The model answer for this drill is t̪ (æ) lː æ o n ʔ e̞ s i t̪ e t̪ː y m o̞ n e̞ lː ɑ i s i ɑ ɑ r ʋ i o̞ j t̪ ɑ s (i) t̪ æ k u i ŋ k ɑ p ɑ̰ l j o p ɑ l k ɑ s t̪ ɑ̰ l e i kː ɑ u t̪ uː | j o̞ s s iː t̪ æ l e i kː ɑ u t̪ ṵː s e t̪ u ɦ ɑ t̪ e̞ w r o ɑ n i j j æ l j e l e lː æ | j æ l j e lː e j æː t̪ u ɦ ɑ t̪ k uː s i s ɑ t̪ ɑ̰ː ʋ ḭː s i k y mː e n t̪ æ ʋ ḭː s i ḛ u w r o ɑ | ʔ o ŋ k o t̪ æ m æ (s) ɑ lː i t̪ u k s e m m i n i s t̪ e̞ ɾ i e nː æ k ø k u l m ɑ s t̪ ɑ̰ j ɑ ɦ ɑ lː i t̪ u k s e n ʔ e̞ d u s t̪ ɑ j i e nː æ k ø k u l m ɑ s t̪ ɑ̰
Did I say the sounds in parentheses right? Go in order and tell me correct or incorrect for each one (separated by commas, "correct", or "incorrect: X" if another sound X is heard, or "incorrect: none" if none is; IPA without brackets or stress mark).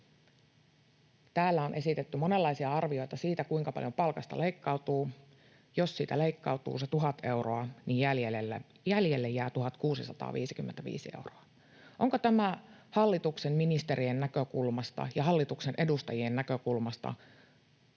incorrect: æː, incorrect: iː, incorrect: h